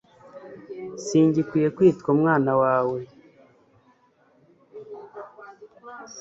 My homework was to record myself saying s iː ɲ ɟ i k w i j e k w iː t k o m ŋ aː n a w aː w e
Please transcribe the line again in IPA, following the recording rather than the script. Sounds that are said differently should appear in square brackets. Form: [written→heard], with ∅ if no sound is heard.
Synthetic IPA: s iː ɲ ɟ i k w i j e k w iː t k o m ŋ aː n a w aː w e

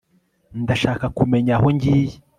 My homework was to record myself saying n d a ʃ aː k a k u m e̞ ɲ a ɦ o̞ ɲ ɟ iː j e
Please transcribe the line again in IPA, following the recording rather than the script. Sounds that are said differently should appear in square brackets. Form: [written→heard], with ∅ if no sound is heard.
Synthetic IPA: n d a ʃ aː k a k u m e̞ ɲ a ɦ o̞ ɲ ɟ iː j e

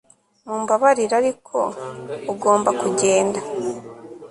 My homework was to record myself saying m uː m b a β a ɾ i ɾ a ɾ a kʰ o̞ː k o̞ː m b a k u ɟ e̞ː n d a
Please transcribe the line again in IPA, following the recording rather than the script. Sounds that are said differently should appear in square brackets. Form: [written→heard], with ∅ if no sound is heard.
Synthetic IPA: m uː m b a β a ɾ i ɾ a ɾ [a→i] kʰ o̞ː [k→ɡ] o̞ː m b a k u ɟ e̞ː n d a

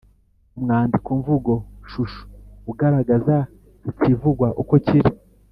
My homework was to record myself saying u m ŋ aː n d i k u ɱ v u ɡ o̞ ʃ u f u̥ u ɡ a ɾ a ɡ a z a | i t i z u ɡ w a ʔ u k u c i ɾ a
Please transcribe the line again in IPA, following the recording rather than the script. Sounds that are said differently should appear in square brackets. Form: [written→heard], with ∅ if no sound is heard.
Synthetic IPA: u m ŋ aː n d i k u ɱ v u ɡ o̞ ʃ u [f→ʃ] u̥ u ɡ a ɾ a ɡ a z a | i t i [z→v] u ɡ w a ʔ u k [u→o] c i ɾ [a→i]

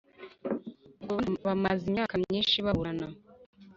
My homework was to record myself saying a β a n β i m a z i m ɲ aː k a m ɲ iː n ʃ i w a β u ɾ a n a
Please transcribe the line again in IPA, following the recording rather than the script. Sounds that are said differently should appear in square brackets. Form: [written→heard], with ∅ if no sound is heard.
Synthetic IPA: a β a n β [i→a] m a z i m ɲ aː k a m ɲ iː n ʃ i [w→β] a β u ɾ a n a

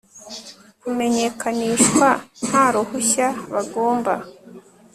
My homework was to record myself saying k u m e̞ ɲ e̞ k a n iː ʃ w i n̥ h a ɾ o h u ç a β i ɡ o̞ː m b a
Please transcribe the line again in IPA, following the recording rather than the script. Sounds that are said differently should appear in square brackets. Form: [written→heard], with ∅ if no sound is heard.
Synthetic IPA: k u m e̞ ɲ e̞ k a n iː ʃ w [i→a] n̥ h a ɾ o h u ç a β [i→a] ɡ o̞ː m b a

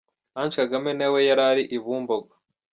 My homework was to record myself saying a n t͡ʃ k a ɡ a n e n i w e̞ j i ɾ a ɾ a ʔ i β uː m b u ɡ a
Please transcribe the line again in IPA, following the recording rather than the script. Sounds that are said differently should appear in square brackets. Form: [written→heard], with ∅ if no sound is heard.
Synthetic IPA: a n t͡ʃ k a ɡ a [n→m] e n [i→e] w e̞ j [i→a] ɾ a ɾ [a→i] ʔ i β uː m b [u→o] ɡ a

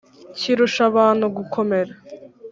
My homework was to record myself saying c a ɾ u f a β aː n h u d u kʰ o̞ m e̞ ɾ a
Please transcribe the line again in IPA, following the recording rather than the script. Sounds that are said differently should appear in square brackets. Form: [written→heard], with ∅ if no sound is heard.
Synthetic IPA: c [a→i] ɾ u [f→ʃ] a β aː n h u [d→ɡ] u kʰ o̞ m e̞ ɾ a

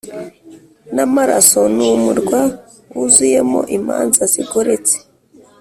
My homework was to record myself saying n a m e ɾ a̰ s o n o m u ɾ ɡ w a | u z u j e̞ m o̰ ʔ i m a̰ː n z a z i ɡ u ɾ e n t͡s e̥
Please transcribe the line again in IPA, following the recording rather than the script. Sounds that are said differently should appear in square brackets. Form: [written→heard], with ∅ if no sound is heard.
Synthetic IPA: n a m [e→a] ɾ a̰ s o n [o→u] m u ɾ ɡ w a | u z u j e̞ m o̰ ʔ i m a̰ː n z a z i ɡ [u→o] ɾ e [n→∅] t͡s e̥

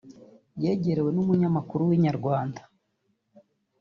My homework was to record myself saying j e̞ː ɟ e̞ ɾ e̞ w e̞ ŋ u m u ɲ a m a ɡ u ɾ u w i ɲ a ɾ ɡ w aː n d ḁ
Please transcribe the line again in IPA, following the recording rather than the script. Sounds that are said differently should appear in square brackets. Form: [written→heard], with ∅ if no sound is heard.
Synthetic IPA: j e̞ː ɟ e̞ ɾ e̞ w e̞ [ŋ→n] u m u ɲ a m a [ɡ→k] u ɾ u w i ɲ a ɾ ɡ w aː n d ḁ

